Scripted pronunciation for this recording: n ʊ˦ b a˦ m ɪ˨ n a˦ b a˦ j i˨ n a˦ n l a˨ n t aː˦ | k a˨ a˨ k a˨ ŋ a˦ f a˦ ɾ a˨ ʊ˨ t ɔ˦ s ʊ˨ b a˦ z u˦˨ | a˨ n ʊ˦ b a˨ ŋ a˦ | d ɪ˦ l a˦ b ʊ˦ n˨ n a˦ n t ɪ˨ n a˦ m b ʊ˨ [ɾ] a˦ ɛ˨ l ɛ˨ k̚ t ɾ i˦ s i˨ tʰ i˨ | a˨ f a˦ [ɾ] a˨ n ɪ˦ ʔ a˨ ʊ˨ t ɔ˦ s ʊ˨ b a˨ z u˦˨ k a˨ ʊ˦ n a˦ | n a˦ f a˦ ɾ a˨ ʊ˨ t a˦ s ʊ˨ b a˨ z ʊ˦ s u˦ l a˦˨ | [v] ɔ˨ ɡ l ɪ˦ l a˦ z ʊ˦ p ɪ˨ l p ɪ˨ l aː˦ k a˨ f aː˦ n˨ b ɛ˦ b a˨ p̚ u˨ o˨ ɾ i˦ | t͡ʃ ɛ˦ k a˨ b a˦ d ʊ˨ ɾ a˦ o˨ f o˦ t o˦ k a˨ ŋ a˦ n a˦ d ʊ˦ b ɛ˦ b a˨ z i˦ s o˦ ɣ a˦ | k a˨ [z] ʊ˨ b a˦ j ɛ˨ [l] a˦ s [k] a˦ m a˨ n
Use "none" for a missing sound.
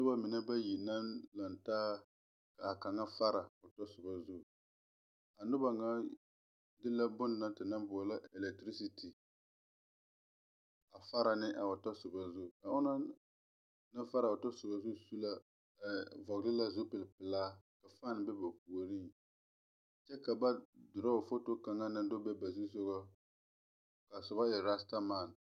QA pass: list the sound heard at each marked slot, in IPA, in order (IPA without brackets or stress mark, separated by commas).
l, ɾ, v, s, ɾ, t